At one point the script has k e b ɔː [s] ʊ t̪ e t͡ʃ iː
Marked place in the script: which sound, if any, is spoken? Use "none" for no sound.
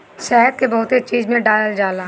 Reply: none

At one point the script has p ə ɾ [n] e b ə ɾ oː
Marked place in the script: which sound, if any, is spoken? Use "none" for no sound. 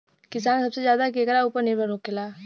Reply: n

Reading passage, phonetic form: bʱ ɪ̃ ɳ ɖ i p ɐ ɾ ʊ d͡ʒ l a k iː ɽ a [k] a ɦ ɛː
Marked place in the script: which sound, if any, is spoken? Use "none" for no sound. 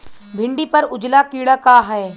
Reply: k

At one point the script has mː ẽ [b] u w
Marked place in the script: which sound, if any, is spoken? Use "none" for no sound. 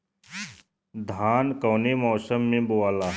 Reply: b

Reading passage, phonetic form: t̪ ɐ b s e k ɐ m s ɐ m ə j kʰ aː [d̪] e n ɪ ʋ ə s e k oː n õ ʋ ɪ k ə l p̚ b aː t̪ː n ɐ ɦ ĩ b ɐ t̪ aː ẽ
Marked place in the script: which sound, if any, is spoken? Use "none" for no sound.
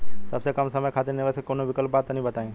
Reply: t̪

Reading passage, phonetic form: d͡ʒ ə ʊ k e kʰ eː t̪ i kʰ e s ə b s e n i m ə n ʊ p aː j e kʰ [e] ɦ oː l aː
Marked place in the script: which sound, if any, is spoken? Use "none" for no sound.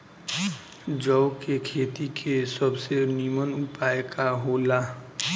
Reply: a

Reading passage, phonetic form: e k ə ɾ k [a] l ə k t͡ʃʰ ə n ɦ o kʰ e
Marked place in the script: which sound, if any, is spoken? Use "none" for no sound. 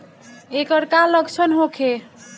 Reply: a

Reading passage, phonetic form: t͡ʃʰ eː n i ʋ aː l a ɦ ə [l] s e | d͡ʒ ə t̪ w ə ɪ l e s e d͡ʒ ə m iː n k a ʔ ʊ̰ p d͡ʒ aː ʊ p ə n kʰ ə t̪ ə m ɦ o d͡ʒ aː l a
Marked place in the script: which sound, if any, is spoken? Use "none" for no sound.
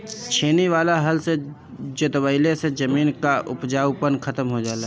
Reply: l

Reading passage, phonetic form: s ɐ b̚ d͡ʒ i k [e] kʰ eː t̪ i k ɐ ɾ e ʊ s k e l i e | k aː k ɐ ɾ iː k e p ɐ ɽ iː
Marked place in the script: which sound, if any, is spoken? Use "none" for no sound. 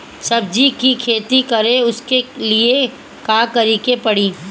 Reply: i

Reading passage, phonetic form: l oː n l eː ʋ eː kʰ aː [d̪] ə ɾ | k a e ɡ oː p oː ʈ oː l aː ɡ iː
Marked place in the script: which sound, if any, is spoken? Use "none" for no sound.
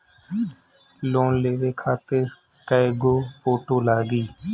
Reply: t̪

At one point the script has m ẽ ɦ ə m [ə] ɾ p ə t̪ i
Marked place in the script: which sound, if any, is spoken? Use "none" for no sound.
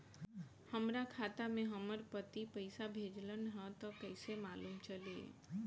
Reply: ə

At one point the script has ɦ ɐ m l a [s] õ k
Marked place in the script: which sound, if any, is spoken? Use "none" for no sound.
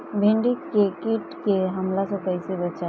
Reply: s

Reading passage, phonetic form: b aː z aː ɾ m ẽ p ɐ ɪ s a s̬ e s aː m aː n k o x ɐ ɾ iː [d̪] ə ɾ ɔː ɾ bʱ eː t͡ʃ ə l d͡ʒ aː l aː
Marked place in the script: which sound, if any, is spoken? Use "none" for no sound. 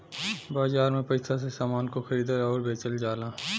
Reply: d̪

